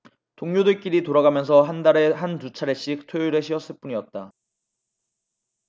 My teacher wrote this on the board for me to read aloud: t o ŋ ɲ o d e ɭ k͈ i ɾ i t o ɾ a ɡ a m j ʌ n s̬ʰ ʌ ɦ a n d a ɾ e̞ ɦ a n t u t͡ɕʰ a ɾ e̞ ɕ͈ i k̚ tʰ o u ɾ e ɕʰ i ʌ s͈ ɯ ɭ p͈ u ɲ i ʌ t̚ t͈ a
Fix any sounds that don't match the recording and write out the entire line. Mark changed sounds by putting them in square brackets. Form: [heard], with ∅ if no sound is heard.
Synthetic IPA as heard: t o ŋ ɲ o d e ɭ k͈ i ɾ i t o ɾ a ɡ a m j ʌ n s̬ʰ ʌ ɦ a n d a ɾ e̞ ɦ a n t u t͡ɕʰ a ɾ e̞ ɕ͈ i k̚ tʰ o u ɾ e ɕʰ i ʌ s͈ ɯ ɭ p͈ u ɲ i ʌ t̚ t͈ a